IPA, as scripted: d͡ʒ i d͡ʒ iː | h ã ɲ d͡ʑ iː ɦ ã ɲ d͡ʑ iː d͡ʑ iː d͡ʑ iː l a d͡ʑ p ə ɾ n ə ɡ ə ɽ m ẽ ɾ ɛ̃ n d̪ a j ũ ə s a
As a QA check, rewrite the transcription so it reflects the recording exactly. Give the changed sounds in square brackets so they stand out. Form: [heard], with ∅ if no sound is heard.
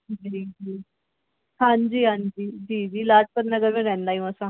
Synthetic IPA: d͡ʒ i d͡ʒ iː | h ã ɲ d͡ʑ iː ɦ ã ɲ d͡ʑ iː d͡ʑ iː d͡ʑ iː l a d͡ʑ p ə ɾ n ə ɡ ə [ɾ] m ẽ ɾ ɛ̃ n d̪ a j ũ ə s a